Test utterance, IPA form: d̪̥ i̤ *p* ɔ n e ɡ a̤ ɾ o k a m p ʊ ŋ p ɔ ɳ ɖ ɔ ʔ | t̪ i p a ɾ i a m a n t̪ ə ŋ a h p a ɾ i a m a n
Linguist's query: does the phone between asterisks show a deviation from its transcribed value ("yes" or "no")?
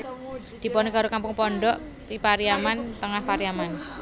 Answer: no